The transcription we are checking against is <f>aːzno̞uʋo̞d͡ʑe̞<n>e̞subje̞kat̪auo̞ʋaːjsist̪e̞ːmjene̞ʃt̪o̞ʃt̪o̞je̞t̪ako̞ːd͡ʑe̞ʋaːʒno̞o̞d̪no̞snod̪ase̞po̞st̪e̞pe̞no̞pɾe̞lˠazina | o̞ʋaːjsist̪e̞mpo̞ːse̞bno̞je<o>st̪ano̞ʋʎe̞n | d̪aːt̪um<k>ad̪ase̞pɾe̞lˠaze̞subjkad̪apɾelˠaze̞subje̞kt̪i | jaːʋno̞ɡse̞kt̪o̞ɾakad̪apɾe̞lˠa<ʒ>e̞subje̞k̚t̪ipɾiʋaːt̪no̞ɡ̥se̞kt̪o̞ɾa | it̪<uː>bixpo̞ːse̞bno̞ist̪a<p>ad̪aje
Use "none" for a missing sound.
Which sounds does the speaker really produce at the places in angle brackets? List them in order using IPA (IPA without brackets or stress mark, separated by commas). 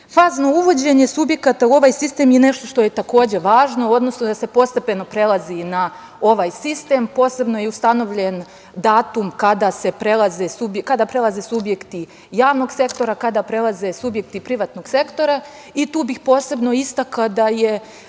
f, ɲ, u, k, z, uː, k